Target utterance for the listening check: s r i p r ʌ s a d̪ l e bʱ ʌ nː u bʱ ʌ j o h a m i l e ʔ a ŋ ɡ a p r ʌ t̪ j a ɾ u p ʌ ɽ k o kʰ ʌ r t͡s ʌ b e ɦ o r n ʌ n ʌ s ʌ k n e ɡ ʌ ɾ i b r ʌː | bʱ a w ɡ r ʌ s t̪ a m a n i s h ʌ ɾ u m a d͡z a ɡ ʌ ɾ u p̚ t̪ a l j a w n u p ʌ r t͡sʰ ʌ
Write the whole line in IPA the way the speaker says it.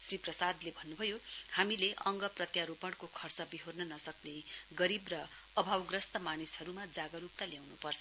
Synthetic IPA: s r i p r ʌ s a d̪ l e bʱ ʌ nː u bʱ ʌ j o h a m i l e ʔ ʌ ŋ ɡ ʌ p r ʌ t̪ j a ɾ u p ʌ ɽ k o kʰ ʌ r t͡s ʌ b i ɦ o r n ʌ n ʌ s ʌ k n e ɡ ʌ ɾ i b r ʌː | bʱ a w ɡ r ʌ s t̪ ʌ m a n i s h ʌ ɾ u m a d͡z a ɡ ʌ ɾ u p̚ t̪ a l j a w n u p ʌ r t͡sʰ ʌ